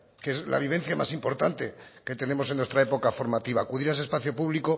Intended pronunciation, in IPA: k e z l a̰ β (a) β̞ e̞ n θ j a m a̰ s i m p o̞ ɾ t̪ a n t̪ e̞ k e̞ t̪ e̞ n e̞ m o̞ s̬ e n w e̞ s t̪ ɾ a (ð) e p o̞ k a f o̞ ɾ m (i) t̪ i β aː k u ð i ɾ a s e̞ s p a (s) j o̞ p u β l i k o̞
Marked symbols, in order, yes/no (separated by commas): no, no, no, no